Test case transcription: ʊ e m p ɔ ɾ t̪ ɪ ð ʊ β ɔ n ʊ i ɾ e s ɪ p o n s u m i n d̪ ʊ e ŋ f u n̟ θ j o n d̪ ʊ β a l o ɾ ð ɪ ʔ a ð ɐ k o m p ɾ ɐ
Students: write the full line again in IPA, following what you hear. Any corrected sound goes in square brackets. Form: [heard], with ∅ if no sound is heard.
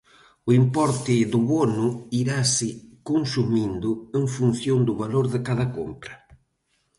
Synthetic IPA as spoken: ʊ [i] m p ɔ ɾ t̪ ɪ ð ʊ β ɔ n ʊ i ɾ [a] s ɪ [k] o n s u m i n d̪ ʊ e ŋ f u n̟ θ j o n d̪ ʊ β a l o ɾ ð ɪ [k] a ð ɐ k o m p ɾ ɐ